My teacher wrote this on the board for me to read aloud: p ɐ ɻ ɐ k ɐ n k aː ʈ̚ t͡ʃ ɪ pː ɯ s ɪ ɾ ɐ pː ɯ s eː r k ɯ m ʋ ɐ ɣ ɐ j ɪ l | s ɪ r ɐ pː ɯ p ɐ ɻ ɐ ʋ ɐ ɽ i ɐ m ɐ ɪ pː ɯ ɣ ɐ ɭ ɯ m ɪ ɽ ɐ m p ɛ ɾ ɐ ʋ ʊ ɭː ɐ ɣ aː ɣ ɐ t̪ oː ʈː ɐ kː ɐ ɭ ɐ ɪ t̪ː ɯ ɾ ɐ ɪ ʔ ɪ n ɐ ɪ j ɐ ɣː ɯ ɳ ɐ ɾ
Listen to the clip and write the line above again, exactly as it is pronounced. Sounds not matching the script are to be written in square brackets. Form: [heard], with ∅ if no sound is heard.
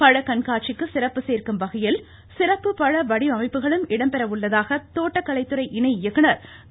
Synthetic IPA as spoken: p ɐ ɻ ɐ k ɐ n k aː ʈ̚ t͡ʃ ɪ [kː] ɯ s ɪ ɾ ɐ pː ɯ s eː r k ɯ m ʋ ɐ ɣ ɐ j ɪ l | s ɪ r ɐ pː ɯ p ɐ ɻ ɐ ʋ ɐ ɽ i ɐ m ɐ ɪ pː ɯ ɣ ɐ ɭ ɯ m ɪ ɽ ɐ m p ɛ ɾ ɐ ʋ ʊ ɭː ɐ [ð] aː ɣ ɐ t̪ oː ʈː ɐ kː ɐ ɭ ɐ ɪ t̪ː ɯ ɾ ɐ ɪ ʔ ɪ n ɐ ɪ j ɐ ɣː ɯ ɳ ɐ ɾ